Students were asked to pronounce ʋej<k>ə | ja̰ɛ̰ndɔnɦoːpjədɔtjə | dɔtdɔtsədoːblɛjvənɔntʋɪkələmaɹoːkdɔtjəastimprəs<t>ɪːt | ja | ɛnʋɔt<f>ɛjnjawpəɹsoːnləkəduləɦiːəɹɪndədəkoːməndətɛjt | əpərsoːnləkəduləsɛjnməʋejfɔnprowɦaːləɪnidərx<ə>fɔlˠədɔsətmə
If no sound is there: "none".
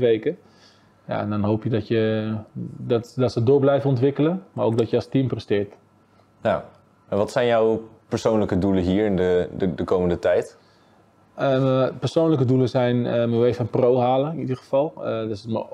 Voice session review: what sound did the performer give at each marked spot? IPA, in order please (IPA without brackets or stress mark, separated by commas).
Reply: k, t, s, ə